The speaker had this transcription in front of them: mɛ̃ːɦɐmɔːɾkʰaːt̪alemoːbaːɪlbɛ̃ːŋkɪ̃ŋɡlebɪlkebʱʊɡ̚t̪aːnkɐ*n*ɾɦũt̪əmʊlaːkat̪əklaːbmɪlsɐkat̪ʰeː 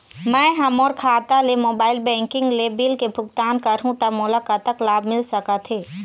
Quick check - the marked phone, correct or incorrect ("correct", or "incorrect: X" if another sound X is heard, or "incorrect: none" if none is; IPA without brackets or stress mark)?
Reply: incorrect: none